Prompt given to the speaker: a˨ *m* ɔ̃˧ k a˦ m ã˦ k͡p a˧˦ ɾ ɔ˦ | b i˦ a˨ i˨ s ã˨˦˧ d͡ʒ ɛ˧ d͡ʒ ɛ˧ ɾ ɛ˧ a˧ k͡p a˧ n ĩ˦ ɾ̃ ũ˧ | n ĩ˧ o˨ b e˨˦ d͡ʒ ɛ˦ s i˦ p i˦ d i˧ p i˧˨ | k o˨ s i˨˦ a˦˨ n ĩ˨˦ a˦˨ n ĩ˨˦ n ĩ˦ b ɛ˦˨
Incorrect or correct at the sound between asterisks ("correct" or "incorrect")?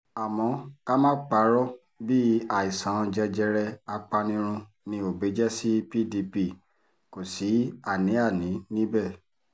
correct